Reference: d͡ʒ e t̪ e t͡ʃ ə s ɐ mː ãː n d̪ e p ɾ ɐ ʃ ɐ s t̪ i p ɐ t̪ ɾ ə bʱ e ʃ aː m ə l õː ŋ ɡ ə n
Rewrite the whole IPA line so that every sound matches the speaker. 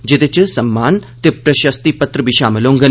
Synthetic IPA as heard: d͡ʒ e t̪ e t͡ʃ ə s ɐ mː aː n t̪ e p ɾ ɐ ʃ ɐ s t̪ i p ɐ t̪ ɾ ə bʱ i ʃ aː m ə l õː ŋ ɡ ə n